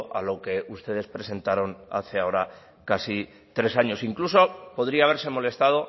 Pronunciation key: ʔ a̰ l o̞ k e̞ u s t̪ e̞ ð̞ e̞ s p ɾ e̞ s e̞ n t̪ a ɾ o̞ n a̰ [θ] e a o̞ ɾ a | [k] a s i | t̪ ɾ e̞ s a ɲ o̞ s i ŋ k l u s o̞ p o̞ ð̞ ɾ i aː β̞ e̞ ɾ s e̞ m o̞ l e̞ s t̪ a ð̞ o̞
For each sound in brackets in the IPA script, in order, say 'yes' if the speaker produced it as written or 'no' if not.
yes, yes

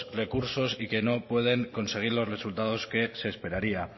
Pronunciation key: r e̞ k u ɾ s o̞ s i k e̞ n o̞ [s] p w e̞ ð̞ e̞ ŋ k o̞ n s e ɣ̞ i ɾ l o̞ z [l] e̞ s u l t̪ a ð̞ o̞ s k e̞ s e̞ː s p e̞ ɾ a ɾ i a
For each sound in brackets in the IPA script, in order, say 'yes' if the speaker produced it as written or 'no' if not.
no, no

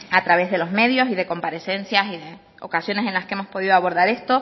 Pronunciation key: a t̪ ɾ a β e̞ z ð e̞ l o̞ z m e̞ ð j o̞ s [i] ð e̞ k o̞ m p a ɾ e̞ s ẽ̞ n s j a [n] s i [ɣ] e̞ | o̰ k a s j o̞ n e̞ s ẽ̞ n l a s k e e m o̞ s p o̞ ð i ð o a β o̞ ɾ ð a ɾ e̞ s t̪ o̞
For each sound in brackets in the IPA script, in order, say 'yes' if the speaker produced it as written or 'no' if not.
yes, no, no

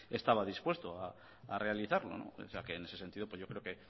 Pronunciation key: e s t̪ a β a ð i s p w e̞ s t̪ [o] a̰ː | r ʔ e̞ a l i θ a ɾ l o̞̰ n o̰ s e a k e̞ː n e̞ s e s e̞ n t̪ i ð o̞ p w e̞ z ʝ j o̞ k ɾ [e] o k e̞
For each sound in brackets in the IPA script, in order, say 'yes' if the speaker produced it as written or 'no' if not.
yes, yes

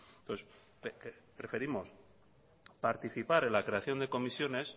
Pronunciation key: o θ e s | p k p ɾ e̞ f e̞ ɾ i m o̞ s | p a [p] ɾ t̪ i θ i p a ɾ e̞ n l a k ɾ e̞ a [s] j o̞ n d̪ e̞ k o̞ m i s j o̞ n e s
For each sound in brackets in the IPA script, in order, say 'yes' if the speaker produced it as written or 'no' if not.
no, no

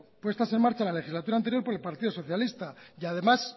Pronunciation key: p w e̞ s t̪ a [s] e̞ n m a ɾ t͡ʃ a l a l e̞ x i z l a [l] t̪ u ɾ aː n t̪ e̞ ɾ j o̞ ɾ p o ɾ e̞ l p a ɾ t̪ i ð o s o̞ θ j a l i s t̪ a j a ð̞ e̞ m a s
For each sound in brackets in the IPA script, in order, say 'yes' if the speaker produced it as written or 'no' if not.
yes, no

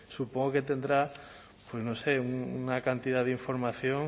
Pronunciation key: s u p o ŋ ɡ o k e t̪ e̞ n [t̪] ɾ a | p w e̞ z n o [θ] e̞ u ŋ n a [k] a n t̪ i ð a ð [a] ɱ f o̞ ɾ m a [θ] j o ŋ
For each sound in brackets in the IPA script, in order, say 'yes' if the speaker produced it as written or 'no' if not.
no, no, yes, no, yes

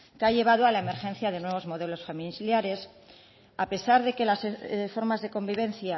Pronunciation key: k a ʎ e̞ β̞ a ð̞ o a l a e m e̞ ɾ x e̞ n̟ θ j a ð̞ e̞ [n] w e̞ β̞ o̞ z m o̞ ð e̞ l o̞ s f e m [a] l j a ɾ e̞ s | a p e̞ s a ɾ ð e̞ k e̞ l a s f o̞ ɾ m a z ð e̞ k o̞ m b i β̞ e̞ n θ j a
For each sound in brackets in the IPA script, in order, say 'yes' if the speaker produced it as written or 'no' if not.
yes, no

